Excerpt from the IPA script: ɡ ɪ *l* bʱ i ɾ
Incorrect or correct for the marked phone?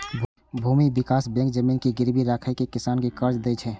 incorrect: ɾ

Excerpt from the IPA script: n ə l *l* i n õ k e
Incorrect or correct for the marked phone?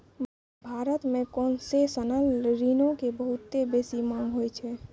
incorrect: ɾ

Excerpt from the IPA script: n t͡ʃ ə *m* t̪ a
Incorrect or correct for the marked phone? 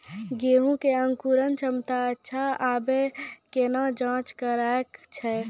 correct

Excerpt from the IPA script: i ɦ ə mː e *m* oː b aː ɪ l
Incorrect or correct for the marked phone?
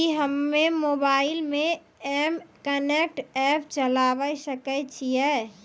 correct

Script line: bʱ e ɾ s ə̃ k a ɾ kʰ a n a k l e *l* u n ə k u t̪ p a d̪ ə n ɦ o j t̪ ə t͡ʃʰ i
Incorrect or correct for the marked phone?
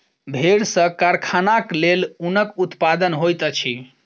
correct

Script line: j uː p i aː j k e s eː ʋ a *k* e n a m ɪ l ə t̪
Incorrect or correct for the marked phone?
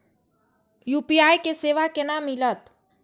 correct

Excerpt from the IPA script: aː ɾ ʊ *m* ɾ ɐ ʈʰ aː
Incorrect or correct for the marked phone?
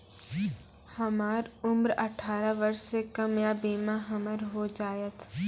correct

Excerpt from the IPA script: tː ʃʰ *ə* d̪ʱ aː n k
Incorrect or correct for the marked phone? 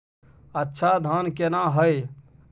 incorrect: a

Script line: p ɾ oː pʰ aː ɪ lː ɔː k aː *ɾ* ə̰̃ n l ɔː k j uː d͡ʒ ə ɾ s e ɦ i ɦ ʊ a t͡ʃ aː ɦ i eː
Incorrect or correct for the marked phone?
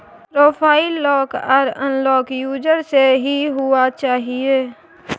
correct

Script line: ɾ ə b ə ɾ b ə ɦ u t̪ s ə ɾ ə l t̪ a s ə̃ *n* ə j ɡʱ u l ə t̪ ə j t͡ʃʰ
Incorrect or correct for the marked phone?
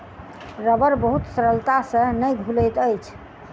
correct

